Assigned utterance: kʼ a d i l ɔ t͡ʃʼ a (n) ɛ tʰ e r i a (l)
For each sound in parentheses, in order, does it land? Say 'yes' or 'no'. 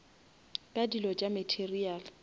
no, yes

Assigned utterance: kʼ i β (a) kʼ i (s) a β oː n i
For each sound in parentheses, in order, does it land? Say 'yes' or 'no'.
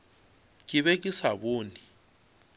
no, yes

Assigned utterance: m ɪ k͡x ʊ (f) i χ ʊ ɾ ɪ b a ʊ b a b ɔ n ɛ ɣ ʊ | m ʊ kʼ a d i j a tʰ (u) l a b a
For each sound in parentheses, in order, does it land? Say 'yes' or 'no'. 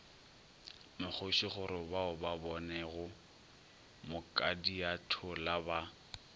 no, no

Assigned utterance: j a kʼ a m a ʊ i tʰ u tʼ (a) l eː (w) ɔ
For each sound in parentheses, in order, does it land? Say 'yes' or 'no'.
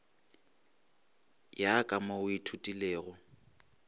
no, no

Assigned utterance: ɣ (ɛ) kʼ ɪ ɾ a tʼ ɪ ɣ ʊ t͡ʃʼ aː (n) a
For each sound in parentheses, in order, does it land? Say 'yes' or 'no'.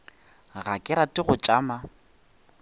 no, no

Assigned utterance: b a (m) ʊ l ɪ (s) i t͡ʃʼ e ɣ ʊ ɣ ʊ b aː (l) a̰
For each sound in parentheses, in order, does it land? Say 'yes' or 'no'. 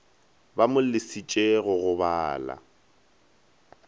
yes, yes, yes

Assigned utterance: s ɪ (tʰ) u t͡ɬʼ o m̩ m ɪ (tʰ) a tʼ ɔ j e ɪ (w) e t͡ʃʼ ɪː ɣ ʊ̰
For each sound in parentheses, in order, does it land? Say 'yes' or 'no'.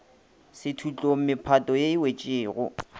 yes, no, yes

